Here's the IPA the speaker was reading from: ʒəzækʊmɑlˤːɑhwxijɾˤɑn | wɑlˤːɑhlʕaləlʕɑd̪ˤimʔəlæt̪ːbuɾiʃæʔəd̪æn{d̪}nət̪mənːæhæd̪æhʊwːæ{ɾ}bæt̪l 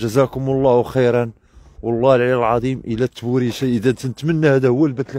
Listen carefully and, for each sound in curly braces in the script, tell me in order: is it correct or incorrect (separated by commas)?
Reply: incorrect, incorrect